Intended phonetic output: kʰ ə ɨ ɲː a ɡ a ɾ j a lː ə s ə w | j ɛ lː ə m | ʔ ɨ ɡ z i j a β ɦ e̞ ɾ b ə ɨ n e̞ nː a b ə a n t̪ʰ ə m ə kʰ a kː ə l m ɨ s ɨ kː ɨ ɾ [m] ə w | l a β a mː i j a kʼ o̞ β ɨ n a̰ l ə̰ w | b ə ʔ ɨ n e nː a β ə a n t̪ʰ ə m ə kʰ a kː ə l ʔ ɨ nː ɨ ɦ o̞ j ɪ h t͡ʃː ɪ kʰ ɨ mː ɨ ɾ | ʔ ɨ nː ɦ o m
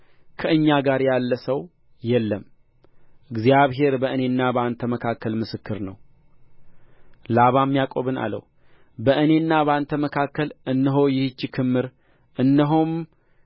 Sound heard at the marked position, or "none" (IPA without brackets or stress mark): n